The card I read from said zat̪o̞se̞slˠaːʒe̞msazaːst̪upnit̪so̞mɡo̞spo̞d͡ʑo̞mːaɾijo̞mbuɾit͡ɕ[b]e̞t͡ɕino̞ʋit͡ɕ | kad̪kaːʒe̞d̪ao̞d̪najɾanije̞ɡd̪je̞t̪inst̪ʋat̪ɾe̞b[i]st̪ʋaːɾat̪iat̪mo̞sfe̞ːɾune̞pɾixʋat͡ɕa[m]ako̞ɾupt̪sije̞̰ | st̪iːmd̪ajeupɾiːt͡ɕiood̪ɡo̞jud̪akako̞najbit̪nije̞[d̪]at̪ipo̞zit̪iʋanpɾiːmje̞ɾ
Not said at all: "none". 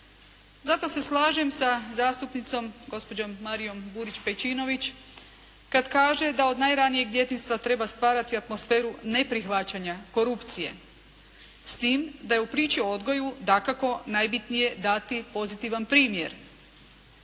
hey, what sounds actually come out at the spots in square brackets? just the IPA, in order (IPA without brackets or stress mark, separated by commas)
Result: p, a, ɲ, d̪